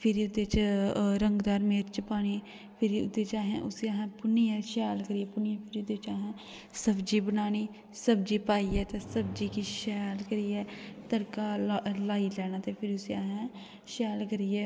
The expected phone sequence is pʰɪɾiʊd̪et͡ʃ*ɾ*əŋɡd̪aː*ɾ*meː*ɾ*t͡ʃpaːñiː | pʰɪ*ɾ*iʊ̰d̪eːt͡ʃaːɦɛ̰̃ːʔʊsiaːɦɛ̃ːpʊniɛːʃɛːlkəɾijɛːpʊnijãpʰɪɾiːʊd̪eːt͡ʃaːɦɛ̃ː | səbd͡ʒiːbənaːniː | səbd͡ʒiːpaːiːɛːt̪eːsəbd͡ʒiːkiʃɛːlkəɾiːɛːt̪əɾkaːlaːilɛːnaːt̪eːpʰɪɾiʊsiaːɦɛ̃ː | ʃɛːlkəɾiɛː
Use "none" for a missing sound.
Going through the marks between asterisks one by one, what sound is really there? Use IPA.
ɾ, ɾ, ɾ, ɾ

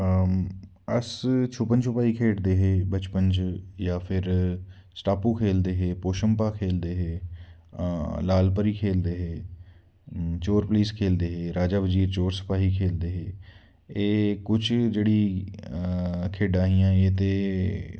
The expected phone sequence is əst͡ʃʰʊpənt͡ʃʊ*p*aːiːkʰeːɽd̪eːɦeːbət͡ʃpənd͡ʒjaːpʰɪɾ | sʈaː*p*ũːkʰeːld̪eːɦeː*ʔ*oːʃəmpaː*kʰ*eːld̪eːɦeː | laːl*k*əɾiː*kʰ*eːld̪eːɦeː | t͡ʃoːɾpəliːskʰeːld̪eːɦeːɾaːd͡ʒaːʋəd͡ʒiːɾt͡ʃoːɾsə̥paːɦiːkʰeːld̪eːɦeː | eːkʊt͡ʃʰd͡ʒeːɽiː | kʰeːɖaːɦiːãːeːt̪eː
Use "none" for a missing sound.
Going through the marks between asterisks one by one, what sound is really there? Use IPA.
p, p, p, kʰ, p, kʰ

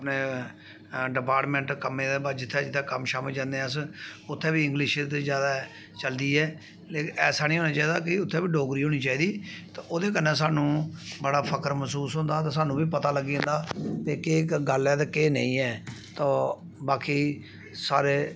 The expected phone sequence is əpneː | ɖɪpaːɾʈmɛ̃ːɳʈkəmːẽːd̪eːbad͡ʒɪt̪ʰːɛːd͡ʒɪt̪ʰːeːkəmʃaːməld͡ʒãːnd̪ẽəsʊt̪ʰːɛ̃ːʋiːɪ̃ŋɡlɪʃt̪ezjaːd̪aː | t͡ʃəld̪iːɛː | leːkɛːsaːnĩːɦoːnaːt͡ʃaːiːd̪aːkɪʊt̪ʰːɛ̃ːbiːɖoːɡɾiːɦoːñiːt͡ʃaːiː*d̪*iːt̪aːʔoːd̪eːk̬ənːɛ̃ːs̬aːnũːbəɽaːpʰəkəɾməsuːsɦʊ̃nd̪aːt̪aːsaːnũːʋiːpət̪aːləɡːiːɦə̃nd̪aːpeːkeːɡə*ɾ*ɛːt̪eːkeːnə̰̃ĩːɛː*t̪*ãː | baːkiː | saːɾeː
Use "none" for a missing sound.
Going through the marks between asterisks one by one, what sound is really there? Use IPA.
d̪, l, t̪

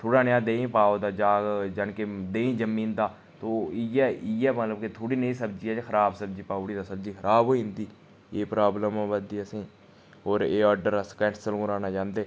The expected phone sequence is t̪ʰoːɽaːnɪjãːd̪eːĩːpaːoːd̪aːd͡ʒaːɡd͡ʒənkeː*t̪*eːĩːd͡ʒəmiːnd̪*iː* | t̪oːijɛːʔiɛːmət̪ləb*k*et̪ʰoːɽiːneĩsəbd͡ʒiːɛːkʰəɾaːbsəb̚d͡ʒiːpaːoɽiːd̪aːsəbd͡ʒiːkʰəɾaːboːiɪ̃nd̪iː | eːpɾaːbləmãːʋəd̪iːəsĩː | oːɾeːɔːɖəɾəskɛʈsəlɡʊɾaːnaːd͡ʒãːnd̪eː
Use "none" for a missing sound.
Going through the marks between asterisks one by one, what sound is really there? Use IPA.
d̪, aː, k

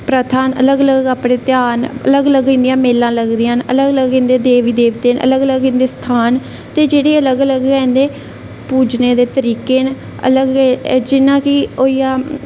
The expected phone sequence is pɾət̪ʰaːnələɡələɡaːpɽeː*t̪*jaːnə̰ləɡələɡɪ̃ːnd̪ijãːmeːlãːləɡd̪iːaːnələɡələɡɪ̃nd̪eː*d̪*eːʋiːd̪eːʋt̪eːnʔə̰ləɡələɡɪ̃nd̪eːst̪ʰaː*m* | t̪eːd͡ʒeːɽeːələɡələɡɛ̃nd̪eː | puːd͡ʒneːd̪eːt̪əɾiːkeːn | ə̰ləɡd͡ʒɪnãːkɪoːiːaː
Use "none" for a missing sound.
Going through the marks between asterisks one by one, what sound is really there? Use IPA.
t̪, d̪, n

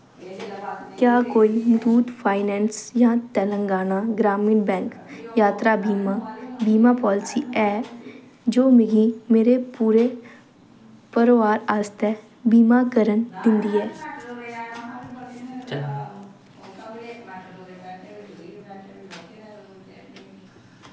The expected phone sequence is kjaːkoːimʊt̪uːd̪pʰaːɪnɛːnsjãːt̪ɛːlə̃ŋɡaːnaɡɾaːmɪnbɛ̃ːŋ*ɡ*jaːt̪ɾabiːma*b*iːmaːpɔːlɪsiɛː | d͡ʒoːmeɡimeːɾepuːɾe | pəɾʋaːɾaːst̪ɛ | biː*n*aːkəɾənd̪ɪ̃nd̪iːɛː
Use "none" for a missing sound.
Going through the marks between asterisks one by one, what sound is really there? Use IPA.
k, b, m

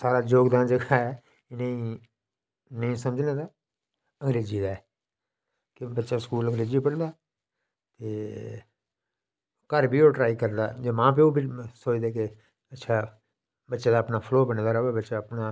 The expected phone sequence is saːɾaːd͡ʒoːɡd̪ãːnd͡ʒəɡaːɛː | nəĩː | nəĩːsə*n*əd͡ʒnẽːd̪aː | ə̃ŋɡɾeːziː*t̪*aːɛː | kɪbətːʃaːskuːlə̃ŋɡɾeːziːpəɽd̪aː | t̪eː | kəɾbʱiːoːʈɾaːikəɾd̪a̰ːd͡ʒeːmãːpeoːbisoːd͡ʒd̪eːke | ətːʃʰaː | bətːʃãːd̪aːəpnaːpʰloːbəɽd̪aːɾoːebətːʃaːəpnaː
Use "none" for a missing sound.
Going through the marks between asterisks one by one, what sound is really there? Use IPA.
m, d̪

